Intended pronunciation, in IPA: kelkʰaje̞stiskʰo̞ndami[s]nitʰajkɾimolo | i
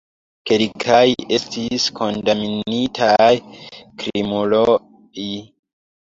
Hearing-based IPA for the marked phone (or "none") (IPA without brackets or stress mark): none